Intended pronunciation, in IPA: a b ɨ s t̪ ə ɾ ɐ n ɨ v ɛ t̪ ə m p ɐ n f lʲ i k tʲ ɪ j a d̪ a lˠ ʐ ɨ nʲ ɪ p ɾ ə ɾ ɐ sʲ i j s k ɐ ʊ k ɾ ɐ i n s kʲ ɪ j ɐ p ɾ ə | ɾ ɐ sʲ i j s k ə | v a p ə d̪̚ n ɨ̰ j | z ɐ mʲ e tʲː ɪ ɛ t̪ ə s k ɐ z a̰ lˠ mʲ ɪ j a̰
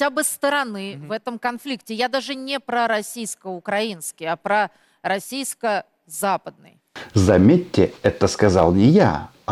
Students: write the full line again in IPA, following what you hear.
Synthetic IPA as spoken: a b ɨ s t̪ ə ɾ ɐ n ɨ v ɛ t̪ ə m k ɐ n f lʲ i k tʲ ɪ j a d̪ a ʐ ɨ nʲ ɪ p ɾ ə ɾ ɐ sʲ i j s k ə ʊ k ɾ ɐ i n s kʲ ɪ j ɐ p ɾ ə | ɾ ɐ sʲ i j s k ə | z a p ə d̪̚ n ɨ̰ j | z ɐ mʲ e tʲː ɪ ɛ t̪ ə s k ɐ z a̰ lˠ nʲ ɪ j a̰